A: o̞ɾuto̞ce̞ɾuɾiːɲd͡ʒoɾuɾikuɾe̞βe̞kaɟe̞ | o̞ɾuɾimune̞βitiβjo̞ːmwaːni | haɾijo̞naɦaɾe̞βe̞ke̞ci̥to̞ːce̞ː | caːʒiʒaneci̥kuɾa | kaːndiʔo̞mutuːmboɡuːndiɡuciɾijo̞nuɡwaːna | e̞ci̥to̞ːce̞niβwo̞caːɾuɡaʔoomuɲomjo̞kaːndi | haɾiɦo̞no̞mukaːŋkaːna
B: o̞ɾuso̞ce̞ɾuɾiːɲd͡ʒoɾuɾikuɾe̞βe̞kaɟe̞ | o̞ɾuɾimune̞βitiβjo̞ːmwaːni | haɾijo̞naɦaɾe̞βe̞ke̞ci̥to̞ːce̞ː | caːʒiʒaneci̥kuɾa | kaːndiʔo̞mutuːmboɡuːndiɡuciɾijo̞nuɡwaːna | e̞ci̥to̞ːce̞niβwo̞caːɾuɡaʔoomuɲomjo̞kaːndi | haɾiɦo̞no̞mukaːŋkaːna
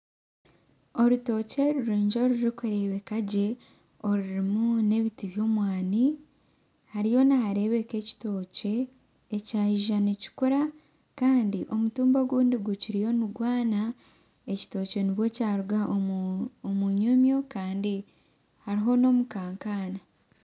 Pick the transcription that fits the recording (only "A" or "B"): A